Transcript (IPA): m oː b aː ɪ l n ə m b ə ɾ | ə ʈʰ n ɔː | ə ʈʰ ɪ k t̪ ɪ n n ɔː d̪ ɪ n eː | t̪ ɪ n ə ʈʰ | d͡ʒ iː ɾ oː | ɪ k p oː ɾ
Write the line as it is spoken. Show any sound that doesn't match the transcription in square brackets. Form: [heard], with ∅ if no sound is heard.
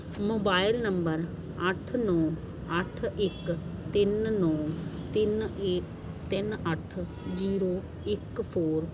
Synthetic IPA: m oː b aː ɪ l n ə m b ə ɾ | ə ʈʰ n ɔː | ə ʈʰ ɪ k t̪ ɪ n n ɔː [t̪] ɪ n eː | t̪ ɪ n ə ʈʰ | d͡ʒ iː ɾ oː | ɪ k [pʰ] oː ɾ